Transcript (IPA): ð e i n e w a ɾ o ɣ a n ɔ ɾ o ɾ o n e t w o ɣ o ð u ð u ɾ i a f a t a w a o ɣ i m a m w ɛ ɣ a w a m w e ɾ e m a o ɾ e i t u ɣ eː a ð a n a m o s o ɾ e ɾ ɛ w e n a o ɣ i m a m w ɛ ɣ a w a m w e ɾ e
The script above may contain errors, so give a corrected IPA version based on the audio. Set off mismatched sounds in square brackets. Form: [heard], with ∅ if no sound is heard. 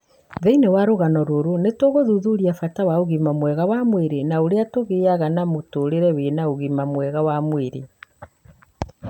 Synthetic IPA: ð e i n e w a ɾ o ɣ a n ɔ ɾ o ɾ o n e t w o ɣ o ð u ð u ɾ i a f a t a w a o ɣ i m a m w ɛ ɣ a w a m w e ɾ e [n] a o ɾ e [a] t [o] ɣ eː a [ɣ] a n a m o [t] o ɾ e ɾ ɛ w e n a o ɣ i m a m w ɛ ɣ a w a m w e ɾ e